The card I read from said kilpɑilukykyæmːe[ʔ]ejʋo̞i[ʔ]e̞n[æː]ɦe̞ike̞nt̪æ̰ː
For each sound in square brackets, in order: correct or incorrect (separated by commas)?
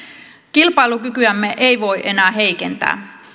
correct, correct, correct